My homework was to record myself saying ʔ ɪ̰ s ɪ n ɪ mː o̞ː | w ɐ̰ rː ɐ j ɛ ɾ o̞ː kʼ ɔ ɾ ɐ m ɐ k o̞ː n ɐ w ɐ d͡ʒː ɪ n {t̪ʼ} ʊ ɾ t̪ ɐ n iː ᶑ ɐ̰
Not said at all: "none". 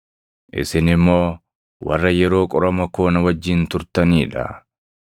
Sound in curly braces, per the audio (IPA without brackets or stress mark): t̪